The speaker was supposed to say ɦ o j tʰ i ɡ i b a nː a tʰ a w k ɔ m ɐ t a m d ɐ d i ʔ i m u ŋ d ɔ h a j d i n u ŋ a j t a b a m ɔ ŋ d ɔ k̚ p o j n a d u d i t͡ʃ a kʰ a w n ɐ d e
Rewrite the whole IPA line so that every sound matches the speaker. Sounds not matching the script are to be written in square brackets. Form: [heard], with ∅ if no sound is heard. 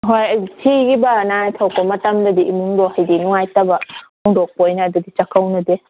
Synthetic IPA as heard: ɦ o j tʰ i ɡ i b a [n] a tʰ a w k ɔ m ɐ t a m d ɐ d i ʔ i m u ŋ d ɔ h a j d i n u ŋ a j t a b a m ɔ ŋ d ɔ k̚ p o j n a d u d i t͡ʃ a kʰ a w n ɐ d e